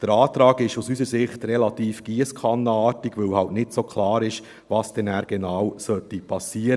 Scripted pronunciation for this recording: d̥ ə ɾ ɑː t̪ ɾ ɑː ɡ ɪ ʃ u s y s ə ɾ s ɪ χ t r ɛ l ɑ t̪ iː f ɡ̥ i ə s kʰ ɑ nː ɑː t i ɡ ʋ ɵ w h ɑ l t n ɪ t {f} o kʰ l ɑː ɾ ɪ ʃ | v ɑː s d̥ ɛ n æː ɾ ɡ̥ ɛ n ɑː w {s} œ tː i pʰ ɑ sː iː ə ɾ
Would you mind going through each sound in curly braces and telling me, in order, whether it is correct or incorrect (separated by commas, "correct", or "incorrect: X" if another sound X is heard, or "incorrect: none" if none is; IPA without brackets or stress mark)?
incorrect: s, correct